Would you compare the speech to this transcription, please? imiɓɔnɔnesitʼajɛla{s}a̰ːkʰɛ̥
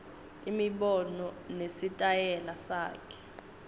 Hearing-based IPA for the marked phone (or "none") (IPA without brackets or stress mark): s